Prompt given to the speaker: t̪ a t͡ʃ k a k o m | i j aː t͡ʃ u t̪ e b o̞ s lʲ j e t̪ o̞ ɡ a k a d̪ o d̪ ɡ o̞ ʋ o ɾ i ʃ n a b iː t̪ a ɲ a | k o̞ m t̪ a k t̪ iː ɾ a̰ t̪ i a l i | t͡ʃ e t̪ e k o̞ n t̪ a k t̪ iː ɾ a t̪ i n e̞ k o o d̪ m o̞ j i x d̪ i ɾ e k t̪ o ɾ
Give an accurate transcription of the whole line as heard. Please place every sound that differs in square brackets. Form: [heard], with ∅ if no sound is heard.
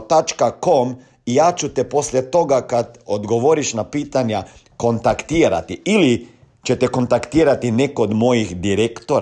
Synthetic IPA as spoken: t̪ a t͡ʃ k a k o m | i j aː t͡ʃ u t̪ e [p] o̞ s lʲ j e t̪ o̞ ɡ a k a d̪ o d̪ ɡ o̞ ʋ o ɾ i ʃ n a [p] iː t̪ a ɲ a | k o̞ [n] t̪ a k t̪ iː ɾ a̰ t̪ i [i] l i | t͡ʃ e t̪ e k o̞ n t̪ a k t̪ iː ɾ a t̪ i n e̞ k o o d̪ m o̞ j i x d̪ i ɾ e k t̪ o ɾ